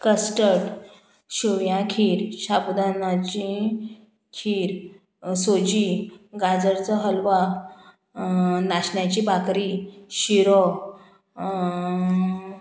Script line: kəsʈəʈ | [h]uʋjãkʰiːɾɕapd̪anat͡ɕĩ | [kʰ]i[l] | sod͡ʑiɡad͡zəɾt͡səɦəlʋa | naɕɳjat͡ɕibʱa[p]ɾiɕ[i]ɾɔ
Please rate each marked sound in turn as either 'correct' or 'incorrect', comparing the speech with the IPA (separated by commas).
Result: incorrect, correct, incorrect, incorrect, correct